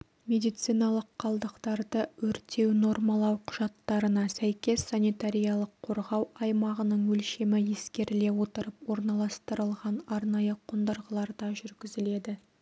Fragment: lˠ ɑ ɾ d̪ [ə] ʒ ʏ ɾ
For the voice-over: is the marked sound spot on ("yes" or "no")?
no